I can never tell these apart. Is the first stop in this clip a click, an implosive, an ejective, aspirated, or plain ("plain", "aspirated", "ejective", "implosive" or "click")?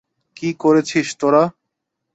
plain